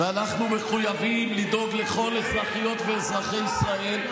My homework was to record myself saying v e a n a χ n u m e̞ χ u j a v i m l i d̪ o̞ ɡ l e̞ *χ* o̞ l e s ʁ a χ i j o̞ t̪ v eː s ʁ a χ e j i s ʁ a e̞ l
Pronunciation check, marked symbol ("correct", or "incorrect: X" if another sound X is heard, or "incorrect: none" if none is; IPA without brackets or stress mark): correct